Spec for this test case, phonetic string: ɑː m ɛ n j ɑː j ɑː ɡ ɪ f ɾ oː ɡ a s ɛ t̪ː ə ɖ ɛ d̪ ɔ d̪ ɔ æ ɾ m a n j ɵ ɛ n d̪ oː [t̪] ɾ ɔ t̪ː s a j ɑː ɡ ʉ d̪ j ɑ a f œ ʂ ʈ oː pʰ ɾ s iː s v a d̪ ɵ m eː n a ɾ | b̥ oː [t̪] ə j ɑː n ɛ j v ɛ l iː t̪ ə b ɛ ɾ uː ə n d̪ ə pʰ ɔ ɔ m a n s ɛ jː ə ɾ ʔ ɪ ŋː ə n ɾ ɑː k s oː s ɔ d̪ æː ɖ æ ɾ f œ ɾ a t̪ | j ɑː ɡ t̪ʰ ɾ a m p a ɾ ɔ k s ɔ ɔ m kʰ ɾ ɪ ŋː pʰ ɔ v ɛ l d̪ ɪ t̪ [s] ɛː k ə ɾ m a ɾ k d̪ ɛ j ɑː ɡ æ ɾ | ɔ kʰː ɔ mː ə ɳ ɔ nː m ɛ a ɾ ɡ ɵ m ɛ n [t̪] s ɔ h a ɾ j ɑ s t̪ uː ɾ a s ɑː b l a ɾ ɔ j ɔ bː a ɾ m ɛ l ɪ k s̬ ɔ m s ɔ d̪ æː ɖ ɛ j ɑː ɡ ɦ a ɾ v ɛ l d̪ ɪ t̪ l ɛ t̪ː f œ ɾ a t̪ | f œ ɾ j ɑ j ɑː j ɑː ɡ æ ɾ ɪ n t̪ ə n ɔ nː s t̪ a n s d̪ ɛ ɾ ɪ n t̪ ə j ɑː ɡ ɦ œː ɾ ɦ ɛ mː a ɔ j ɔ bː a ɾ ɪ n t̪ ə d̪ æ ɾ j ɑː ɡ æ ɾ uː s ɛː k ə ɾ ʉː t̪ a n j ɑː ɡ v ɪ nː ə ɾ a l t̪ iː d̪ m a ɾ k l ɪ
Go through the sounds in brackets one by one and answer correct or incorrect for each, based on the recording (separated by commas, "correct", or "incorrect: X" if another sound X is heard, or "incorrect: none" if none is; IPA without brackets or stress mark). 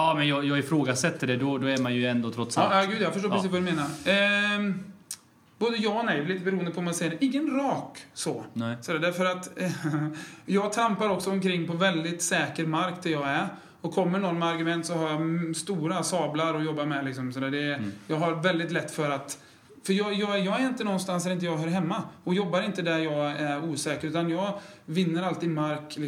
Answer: incorrect: t̪ʰ, incorrect: d̪, correct, correct